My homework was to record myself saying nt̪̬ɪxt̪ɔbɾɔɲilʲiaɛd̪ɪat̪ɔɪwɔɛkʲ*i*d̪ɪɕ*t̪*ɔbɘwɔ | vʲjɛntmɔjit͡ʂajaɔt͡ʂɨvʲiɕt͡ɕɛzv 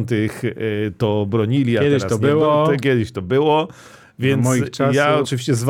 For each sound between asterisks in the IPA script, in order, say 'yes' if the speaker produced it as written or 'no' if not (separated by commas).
no, yes